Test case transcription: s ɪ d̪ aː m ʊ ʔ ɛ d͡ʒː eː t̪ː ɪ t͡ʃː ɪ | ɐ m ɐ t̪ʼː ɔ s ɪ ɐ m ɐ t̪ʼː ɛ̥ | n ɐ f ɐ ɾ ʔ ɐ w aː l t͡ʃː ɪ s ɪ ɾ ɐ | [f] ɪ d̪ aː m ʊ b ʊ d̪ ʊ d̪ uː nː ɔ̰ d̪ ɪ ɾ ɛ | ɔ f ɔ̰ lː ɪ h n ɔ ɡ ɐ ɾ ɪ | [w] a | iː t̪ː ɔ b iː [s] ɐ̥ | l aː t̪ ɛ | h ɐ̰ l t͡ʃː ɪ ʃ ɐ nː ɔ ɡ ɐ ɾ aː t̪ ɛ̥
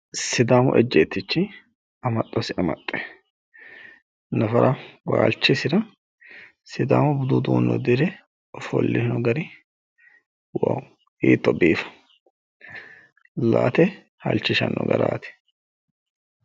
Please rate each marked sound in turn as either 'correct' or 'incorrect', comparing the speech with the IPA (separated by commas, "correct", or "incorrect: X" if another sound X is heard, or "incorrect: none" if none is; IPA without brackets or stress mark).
incorrect: s, correct, incorrect: f